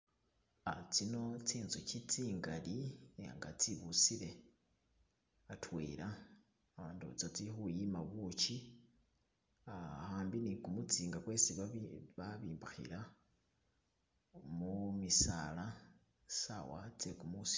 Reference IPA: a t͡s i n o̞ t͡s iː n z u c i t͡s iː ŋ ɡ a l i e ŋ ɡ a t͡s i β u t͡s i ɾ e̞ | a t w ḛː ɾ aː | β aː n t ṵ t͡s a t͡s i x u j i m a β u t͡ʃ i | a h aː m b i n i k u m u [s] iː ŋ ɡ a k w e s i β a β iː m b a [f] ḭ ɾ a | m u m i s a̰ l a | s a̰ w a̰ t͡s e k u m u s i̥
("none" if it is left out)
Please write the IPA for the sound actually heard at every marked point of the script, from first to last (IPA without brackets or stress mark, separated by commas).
t͡s, x